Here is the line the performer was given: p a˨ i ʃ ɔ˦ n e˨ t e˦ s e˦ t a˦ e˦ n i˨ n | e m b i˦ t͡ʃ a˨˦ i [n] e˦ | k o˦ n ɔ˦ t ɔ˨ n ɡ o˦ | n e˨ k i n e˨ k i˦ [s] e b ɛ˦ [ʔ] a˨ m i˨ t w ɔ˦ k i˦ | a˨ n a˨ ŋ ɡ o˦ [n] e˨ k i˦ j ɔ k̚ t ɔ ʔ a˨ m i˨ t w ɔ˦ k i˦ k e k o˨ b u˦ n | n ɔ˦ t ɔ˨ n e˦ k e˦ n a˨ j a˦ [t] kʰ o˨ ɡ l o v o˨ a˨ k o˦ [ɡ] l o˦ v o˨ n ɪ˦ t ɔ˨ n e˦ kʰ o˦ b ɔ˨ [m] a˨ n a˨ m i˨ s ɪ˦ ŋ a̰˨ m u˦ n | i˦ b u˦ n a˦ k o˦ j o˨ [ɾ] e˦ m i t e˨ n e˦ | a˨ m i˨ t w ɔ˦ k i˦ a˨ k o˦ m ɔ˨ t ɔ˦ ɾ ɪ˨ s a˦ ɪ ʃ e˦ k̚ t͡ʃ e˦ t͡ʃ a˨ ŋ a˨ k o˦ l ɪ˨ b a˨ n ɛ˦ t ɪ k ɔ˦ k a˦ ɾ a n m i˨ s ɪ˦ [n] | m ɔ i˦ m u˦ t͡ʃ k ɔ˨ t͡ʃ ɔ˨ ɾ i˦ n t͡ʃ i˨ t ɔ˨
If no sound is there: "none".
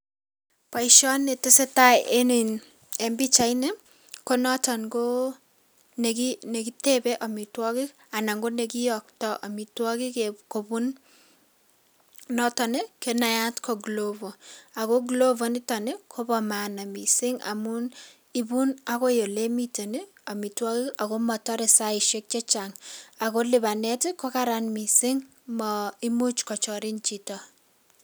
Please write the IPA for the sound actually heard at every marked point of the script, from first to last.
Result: n, t, ʔ, n, t, ɡ, m, l, ŋ

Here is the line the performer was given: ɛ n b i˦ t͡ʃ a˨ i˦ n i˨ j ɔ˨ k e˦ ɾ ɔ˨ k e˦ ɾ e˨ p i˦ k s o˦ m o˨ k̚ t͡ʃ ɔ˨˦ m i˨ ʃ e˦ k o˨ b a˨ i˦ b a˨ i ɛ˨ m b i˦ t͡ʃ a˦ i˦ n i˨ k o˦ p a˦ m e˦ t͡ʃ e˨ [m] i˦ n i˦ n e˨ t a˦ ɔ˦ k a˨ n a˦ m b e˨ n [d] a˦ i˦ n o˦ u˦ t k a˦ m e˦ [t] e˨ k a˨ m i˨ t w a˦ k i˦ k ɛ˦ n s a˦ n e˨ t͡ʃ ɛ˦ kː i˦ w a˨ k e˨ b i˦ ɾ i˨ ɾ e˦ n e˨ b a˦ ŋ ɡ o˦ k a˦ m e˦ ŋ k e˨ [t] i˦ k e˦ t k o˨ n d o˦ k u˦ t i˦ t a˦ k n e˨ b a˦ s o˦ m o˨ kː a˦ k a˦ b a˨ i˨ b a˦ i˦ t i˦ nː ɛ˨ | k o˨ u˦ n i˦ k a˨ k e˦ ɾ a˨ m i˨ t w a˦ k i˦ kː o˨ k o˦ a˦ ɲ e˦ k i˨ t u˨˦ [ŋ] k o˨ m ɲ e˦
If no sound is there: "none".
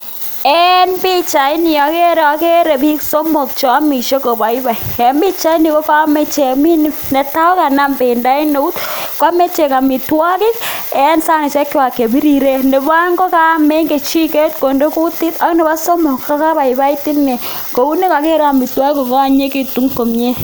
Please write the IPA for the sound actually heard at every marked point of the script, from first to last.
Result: m, d, t͡ʃ, t͡ʃ, ŋ

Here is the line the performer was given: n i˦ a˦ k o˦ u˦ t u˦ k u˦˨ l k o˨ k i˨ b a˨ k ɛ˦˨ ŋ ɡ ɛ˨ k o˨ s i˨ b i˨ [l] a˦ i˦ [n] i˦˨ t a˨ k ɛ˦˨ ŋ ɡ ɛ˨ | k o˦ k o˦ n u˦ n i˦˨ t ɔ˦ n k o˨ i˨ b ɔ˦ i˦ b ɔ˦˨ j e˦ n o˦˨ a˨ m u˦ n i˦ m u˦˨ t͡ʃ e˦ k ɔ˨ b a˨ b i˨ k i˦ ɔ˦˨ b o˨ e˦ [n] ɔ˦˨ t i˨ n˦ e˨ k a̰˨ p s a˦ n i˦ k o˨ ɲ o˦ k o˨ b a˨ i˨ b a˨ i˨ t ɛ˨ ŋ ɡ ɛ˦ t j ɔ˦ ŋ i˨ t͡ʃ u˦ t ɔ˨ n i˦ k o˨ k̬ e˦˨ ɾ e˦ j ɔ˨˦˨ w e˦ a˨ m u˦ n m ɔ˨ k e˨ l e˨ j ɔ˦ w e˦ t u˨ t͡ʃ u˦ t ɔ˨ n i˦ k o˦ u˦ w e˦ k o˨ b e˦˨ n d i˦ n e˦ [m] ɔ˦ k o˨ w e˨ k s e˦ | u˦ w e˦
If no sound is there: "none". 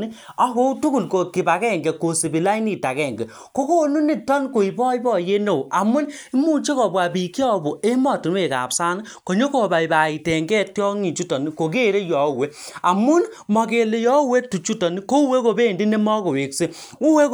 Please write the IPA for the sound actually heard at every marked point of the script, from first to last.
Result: l, n, m, m

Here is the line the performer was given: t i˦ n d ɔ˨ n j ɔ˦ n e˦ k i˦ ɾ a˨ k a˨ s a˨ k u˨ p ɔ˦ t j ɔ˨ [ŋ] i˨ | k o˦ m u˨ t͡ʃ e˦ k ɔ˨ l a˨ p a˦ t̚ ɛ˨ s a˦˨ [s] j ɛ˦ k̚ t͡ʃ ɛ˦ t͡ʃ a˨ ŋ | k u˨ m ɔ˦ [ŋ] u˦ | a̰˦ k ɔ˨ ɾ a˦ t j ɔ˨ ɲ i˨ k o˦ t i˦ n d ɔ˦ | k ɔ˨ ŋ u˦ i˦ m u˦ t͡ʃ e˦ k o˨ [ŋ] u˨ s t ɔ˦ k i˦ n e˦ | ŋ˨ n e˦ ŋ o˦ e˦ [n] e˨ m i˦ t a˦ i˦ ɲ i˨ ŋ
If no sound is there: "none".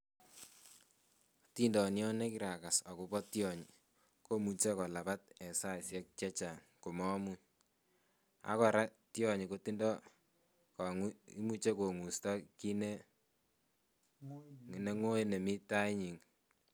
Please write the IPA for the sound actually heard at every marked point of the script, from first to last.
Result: ɲ, s, m, ŋ, n

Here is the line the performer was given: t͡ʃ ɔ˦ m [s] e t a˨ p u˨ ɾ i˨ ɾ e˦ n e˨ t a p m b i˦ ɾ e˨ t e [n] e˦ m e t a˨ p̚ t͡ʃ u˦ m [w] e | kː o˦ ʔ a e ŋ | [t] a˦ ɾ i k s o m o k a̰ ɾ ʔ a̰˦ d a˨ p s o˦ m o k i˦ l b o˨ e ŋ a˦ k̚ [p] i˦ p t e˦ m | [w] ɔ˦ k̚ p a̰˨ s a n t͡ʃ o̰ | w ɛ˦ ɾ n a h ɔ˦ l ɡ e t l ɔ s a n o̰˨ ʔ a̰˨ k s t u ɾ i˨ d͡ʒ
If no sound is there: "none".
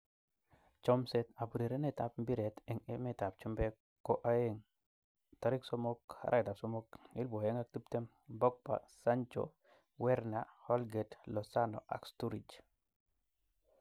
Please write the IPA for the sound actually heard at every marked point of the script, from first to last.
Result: s, ŋ, b, t, t, b

